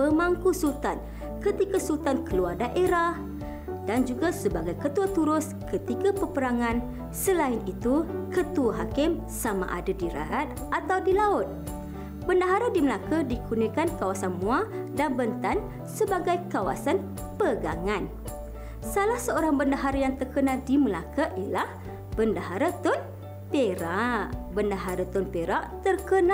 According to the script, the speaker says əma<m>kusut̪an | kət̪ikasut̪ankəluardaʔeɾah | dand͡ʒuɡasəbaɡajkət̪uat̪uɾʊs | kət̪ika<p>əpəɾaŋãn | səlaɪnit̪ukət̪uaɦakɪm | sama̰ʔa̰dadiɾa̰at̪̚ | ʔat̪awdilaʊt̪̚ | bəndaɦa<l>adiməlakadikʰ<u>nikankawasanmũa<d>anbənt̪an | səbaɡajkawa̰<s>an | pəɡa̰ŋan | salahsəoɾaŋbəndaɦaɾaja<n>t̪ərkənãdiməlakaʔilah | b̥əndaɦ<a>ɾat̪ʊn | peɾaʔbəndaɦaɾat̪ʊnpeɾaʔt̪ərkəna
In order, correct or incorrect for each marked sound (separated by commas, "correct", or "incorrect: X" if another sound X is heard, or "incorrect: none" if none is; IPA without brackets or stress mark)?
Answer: incorrect: ŋ, correct, incorrect: ɾ, correct, correct, correct, incorrect: ŋ, correct